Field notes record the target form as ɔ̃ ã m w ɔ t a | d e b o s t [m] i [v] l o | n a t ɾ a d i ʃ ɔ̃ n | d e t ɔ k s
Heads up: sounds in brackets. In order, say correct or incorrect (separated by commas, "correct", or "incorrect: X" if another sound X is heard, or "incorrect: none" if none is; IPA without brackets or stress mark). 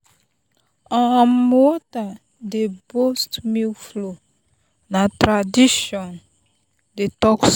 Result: correct, incorrect: f